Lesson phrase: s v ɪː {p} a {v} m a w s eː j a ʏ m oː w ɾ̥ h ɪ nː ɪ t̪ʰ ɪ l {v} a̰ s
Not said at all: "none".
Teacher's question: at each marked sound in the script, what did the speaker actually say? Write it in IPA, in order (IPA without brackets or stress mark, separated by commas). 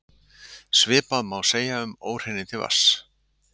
p, ð, v